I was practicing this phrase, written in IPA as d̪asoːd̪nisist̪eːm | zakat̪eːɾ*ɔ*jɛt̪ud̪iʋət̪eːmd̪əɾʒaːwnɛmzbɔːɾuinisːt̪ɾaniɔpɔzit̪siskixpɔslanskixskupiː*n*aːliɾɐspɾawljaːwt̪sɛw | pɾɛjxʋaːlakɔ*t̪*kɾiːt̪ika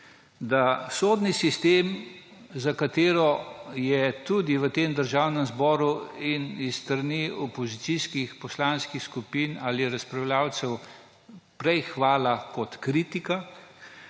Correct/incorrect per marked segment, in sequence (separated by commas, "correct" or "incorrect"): correct, correct, correct